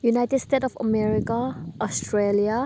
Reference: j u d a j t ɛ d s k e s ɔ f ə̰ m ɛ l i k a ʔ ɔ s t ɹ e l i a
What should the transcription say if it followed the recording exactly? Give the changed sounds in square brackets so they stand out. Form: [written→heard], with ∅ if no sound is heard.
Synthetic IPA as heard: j u [d→n] a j t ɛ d s [k→t] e [s→t] ɔ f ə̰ m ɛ [l→ɹ] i k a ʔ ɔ s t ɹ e l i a